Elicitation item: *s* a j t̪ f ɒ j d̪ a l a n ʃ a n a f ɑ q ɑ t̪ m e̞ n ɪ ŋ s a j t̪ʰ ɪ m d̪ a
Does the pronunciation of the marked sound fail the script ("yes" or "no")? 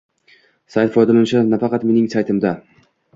no